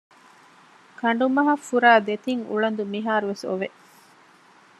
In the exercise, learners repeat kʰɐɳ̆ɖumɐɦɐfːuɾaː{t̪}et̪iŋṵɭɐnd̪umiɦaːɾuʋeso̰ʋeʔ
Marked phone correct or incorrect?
incorrect